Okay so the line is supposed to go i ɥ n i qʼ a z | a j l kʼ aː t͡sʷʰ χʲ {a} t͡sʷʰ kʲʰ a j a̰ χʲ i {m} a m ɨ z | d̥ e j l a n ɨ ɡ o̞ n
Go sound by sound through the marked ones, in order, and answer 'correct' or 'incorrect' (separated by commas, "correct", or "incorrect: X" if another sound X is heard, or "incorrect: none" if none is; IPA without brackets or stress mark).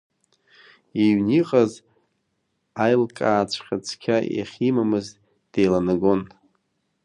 correct, correct